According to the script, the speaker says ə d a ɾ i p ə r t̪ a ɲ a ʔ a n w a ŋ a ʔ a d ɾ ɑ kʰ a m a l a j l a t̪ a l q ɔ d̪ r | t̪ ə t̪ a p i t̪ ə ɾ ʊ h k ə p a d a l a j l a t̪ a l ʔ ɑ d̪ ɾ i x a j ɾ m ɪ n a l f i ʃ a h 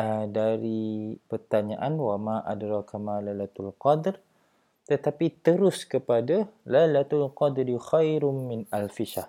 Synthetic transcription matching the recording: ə d a ɾ i p ə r t̪ a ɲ a ʔ a n w a m a ʔ a d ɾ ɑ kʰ a m a l a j l a t̪ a l q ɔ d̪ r | t̪ ə t̪ a p i t̪ ə ɾ ʊ s k ə p a d a l a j l a t̪ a l q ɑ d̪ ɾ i x a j ɾ m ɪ n a l f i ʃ a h